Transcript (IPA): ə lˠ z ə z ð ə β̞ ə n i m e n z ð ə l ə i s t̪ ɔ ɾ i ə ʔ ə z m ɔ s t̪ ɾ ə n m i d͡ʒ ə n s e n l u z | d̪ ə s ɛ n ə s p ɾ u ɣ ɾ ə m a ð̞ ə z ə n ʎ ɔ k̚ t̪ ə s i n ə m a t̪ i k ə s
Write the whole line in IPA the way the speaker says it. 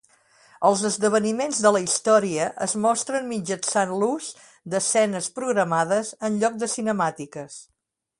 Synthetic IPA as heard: ə lˠ z ə z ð ə β̞ ə n i m e n z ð ə l ə i s t̪ ɔ ɾ i ə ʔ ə z m ɔ s t̪ ɾ ə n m i d͡ʒ ə n s a n l u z | d̪ ə s ɛ n ə s p ɾ u ɣ ɾ ə m a ð̞ ə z ə n ʎ ɔ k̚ d̪ ə s i n ə m a t̪ i k ə s